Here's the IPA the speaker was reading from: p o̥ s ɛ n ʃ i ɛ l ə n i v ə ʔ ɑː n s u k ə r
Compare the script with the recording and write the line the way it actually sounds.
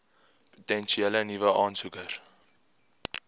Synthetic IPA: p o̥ t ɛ n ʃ i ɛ l ə n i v ə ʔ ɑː n s u k ə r